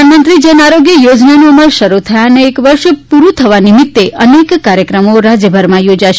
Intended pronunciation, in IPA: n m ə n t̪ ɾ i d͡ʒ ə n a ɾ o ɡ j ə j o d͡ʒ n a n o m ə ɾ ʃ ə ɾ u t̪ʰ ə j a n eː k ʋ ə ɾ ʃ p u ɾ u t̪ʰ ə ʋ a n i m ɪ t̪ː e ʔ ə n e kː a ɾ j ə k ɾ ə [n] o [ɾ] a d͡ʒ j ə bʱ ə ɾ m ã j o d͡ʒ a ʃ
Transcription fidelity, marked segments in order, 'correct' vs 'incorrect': incorrect, correct

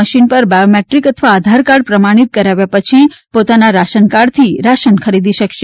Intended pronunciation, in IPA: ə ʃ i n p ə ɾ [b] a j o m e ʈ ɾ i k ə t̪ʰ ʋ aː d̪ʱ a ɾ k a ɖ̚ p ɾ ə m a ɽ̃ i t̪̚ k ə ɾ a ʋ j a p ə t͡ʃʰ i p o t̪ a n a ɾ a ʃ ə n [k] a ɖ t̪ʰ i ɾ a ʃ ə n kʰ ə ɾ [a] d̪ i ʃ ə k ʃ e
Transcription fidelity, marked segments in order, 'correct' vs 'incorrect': correct, correct, incorrect

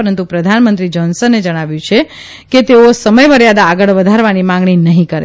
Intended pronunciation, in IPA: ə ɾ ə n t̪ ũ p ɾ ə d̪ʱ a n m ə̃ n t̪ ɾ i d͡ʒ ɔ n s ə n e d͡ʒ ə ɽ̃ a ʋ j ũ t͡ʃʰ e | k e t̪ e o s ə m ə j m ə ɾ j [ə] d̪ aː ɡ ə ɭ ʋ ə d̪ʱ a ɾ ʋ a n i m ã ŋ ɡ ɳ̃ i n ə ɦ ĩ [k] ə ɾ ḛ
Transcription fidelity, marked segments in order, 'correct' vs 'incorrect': incorrect, correct

